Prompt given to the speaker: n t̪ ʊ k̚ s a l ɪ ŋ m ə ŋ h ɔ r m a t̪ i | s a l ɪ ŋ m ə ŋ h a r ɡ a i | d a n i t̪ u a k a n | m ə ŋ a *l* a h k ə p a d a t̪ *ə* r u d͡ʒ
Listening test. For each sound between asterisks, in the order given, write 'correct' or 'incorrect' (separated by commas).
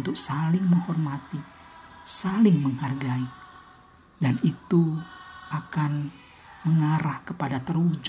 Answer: incorrect, correct